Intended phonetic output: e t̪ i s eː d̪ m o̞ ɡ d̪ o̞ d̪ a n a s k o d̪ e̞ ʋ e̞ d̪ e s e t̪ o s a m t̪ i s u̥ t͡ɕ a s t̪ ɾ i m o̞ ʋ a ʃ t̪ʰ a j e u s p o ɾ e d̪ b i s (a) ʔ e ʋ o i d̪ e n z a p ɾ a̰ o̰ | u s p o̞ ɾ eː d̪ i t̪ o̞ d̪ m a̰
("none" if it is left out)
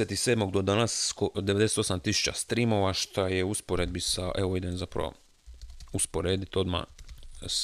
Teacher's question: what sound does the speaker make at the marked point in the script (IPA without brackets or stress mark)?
a